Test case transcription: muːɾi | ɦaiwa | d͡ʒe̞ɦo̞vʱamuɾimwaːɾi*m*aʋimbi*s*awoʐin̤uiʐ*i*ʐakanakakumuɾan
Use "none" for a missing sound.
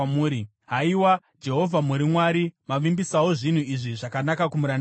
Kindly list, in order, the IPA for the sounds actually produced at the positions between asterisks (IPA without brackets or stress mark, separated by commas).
m, s, i